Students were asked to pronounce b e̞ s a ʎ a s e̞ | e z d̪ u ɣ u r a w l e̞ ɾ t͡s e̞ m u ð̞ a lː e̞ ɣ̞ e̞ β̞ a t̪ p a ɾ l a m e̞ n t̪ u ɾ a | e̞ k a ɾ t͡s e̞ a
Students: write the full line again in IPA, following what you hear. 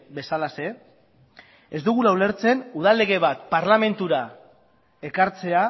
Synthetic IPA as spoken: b e̞ s a l a s e̞ | e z d̪ u ɣ u l a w l e̞ ɾ t͡s e̞ n u ð̞ a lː e̞ ɣ̞ e̞ β̞ a t̪ p a ɾ l a m e̞ n t̪ u ɾ a | e̞ k a ɾ t͡s e̞ a

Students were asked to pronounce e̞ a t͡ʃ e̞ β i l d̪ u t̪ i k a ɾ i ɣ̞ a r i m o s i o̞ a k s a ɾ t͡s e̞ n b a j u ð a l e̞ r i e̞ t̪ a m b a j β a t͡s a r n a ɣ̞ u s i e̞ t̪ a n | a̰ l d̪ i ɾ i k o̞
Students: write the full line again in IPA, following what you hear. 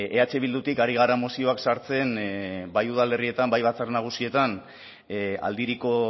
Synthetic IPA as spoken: e̞ a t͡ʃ e̞ β i l d̪ u t̪ i k a ɾ i ɣ̞ a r a m o s i o̞ a k s a ɾ t͡s e̞ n b a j u ð a l e̞ r i e̞ t̪ a m b a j β a t͡s a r n a ɣ̞ u s i e̞ t̪ a n | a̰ l d̪ i ɾ i k o̞

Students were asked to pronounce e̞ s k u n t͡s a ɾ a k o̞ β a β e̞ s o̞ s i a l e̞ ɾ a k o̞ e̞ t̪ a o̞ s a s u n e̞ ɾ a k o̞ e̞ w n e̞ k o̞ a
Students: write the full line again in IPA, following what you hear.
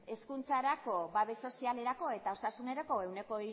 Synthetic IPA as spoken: e̞ s k u n t͡s a ɾ a k o̞ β a β e̞ s o̞ s i a l e̞ ɾ a k o̞ e̞ t̪ a o̞ s a s u n e̞ ɾ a k o̞ e̞ w n e̞ k o̞ i

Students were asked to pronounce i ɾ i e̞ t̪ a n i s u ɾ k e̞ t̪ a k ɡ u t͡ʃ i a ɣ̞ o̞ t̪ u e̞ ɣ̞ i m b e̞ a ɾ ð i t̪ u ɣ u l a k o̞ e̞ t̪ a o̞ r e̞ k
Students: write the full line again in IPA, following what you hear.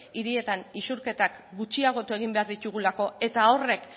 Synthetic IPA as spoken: i ɾ i e̞ t̪ a n i s u ɾ k e̞ t̪ a k ɡ u t͡ʃ i a ɣ̞ o̞ t̪ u e̞ ɣ̞ i m b e̞ a ɾ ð i t̪ u ɣ u l a k o̞ e̞ t̪ a o̞ r e̞ k

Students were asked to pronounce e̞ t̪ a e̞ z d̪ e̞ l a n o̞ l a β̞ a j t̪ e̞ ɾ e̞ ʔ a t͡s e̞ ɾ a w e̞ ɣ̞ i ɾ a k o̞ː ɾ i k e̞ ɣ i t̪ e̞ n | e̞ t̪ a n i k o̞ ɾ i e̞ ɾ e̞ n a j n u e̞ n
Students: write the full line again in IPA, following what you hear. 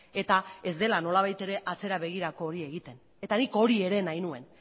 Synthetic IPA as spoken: e̞ t̪ a e̞ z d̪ e̞ l a n o̞ l a β̞ a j t̪ e̞ ɾ e̞ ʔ a t͡s e̞ ɾ a β e̞ ɣ̞ i ɾ a k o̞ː ɾ i e̞ ɣ i t̪ e̞ n | e̞ t̪ a n i k o̞ ɾ i e̞ ɾ e̞ n a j n u e̞ n

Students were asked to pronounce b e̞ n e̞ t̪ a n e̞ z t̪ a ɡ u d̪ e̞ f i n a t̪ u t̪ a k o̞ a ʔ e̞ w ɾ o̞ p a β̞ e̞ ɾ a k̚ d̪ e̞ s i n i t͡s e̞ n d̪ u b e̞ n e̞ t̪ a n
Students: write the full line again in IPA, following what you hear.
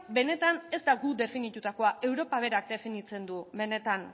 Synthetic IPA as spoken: b e̞ n e̞ t̪ a n e̞ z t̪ a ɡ u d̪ e̞ f i n i t̪ u t̪ a k o̞ a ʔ e̞ w ɾ o̞ p a β̞ e̞ ɾ a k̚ d̪ e̞ f i n i t͡s e̞ n d̪ u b e̞ n e̞ t̪ a n

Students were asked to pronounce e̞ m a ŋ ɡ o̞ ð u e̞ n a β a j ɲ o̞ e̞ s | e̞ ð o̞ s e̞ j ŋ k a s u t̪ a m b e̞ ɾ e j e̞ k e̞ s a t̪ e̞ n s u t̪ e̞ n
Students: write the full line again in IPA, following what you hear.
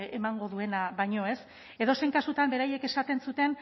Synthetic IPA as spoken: e̞ m a ŋ ɡ o̞ ð u e̞ n a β a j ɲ o̞ e̞ s | e̞ ð o̞ s e̞ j ŋ k a s u t̪ a m b e̞ ɾ a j e̞ k e̞ s a t̪ e̞ n s u t̪ e̞ n

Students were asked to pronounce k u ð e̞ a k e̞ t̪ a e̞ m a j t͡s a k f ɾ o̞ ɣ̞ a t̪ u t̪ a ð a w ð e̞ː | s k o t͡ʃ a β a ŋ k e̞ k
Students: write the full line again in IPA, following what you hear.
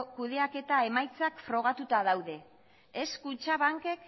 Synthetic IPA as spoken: k u ð e̞ a k e̞ t̪ a e̞ m a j t͡s a k f ɾ o̞ ɣ̞ a t̪ u t̪ a ð a w ð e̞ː | s k u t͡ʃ a β a ŋ k e̞ k

